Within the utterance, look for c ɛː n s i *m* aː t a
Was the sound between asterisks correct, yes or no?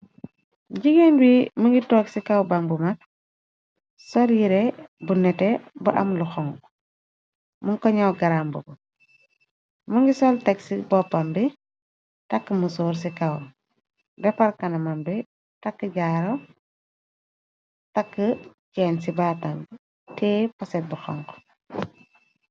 no